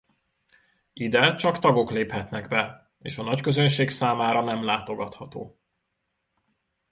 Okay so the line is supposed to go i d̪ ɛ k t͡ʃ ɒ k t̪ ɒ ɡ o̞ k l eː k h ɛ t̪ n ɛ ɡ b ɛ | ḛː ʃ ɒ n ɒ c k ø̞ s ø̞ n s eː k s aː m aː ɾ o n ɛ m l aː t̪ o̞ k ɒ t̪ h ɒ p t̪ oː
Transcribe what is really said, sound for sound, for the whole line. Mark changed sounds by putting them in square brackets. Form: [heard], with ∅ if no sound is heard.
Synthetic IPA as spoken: i d̪ ɛ [∅] t͡ʃ ɒ k t̪ ɒ ɡ o̞ k l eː [p] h ɛ t̪ n ɛ ɡ b ɛ | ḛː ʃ ɒ n ɒ c k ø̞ [z] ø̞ n [ʃ] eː k s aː m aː ɾ [ɒ] n ɛ m l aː t̪ o̞ [ɡ] ɒ t̪ h ɒ [∅] t̪ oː